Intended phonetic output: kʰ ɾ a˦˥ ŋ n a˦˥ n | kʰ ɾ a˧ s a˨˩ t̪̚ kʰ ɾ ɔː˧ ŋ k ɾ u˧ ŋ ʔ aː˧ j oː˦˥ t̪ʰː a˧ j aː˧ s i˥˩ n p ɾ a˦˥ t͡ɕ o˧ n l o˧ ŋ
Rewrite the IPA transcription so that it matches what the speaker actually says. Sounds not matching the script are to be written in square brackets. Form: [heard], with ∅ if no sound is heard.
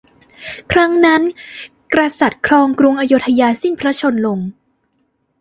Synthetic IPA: kʰ ɾ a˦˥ ŋ n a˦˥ n | [k] ɾ a˧ s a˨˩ t̪̚ kʰ ɾ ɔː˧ ŋ k ɾ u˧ ŋ ʔ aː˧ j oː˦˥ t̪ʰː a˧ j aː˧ s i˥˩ n [pʰ] ɾ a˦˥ [t͡ɕʰ] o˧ n l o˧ ŋ